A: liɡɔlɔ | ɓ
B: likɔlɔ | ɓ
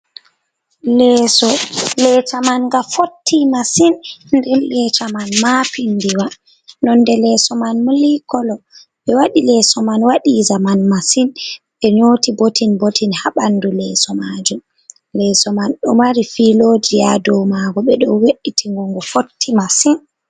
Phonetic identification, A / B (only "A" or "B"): B